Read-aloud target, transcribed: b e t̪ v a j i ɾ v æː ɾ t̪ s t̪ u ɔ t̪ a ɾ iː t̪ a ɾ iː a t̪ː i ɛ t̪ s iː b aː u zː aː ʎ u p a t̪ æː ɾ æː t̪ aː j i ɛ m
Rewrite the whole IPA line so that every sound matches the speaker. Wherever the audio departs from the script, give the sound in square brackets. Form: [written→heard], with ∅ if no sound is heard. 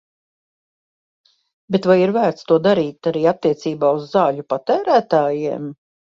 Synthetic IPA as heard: b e t̪ v a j i ɾ v æː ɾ t̪ s t̪ u ɔ [t̪→d̪] a ɾ iː t̪ a ɾ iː a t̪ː i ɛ t̪ s iː b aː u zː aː ʎ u p a t̪ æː ɾ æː t̪ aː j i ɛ m